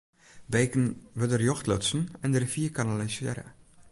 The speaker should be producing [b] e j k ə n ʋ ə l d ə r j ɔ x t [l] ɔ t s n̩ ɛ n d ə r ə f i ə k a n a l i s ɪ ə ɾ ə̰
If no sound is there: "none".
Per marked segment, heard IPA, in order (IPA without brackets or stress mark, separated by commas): b, l